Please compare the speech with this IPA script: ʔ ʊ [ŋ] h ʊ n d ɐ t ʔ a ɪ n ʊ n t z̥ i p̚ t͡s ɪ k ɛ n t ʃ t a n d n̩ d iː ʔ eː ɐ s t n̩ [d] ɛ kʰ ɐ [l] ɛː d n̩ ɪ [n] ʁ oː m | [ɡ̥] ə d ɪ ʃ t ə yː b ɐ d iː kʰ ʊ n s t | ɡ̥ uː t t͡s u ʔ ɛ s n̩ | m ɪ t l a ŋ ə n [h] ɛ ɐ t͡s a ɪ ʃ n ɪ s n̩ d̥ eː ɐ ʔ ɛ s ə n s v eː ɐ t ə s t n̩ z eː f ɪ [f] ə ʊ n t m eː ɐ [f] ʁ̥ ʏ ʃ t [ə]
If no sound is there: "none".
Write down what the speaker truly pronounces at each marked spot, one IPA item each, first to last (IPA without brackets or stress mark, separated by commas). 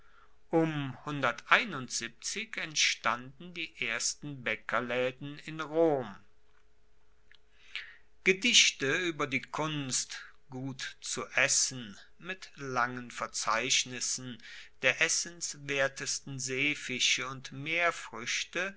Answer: m, b, l, n, ɡ̥, f, ʃ, f, ə